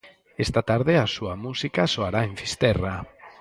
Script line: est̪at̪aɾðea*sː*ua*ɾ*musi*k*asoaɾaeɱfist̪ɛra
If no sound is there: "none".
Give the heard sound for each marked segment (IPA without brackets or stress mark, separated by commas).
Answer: s, none, k